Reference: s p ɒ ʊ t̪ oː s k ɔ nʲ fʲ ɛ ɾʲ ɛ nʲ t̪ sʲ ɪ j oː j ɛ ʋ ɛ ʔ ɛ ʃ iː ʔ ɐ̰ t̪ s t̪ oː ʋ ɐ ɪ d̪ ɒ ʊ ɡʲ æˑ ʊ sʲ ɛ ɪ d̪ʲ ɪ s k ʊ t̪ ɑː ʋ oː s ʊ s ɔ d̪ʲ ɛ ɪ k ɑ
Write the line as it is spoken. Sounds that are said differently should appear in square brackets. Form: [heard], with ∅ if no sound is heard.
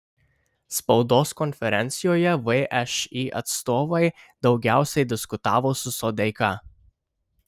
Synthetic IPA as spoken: s p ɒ ʊ [d̪] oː s k ɔ nʲ fʲ ɛ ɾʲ ɛ nʲ t̪ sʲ ɪ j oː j ɛ ʋ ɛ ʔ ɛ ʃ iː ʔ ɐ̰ t̪ s t̪ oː ʋ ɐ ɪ d̪ ɒ ʊ ɡʲ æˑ ʊ sʲ ɛ ɪ d̪ʲ ɪ s k ʊ t̪ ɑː ʋ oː s ʊ s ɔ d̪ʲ ɛ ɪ k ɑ